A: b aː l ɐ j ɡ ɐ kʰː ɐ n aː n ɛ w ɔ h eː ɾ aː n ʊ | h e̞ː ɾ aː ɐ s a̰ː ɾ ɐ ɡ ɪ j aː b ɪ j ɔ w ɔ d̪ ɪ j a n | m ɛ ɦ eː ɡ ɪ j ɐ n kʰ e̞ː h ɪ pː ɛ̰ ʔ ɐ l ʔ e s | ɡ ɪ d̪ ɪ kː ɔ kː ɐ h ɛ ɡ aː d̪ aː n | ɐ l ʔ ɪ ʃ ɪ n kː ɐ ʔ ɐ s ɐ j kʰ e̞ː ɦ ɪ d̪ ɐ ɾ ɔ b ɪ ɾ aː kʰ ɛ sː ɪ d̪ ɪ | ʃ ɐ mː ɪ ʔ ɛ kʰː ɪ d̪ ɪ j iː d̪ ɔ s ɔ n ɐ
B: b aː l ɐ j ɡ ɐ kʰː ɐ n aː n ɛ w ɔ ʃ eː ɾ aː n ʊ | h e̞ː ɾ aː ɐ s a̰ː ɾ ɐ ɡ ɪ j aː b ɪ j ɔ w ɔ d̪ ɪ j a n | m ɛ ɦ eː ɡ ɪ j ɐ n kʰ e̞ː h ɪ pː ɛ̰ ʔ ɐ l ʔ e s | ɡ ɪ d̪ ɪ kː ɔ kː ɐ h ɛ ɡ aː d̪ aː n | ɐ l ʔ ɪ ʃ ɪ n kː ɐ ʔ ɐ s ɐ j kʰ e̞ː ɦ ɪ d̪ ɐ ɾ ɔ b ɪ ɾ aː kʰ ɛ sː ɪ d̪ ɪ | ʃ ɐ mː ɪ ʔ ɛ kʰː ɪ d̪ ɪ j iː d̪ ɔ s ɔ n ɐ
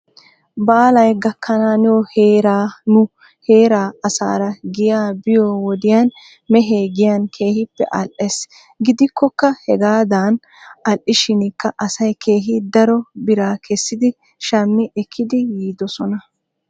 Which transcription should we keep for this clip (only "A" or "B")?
A